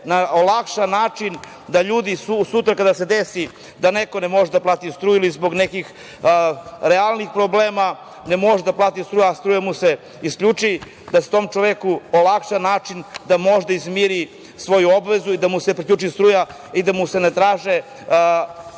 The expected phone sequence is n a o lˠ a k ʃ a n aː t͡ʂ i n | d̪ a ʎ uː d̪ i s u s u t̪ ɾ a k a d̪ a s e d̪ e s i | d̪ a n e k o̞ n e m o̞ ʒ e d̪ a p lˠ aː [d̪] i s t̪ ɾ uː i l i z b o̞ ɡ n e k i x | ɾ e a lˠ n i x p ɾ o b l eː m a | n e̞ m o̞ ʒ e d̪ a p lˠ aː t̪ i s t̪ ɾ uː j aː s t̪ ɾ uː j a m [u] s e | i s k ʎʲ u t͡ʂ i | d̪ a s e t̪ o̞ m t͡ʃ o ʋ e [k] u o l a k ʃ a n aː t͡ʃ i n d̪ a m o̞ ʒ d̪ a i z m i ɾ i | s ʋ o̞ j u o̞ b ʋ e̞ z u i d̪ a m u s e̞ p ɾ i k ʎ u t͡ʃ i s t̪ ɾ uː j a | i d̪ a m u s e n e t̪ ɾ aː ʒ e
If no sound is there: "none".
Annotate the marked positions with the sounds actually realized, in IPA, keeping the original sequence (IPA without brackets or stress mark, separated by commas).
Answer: t̪, u, k